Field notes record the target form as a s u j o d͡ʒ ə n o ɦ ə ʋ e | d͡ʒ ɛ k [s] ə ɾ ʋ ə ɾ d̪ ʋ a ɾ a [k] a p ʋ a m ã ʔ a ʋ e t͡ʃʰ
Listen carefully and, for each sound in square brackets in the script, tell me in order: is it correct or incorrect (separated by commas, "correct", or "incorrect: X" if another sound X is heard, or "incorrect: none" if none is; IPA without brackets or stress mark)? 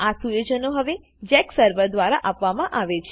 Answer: correct, incorrect: ʔ